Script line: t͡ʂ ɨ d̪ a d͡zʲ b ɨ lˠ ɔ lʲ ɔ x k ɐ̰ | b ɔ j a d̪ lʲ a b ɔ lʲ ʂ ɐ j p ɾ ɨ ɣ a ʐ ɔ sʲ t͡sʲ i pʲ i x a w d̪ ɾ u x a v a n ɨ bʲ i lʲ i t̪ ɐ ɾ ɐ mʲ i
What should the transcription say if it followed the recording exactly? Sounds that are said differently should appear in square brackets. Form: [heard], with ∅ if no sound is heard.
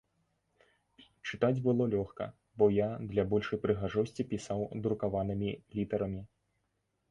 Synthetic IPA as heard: t͡ʂ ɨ [t̪] a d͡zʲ b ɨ lˠ ɔ lʲ ɔ x k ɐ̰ | b ɔ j a d̪ lʲ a b ɔ lʲ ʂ ɐ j p ɾ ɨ ɣ a ʐ ɔ sʲ t͡sʲ i pʲ i [s] a w d̪ ɾ u [k] a v a n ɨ [mʲ] i lʲ i t̪ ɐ ɾ ɐ mʲ i